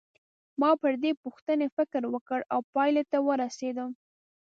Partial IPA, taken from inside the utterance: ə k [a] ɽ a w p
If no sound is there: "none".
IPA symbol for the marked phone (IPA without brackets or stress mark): ə